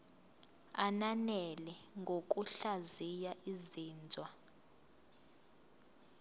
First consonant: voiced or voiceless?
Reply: voiced